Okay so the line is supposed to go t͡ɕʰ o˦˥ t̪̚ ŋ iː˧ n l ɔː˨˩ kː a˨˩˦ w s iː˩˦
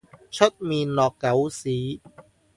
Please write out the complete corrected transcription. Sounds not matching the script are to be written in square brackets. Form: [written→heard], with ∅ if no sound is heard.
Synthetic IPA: t͡ɕʰ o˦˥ t̪̚ [ŋ→m] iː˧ n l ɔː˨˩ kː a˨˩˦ w s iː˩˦